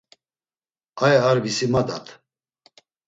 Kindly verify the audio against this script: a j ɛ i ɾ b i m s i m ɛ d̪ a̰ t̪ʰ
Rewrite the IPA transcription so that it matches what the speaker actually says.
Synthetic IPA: a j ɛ a ɾ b i s i m a d̪ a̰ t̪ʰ

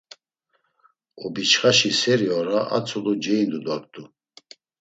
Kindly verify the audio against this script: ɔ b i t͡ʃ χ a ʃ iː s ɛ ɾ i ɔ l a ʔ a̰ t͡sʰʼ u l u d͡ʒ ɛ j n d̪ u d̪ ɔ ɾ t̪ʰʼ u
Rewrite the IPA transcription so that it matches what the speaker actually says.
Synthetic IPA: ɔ b i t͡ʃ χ a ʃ i s ɛ ɾ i ɔ ɾ a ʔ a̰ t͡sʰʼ u l u d͡ʒ ɛ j n d̪ u d̪ ɔ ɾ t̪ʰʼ u

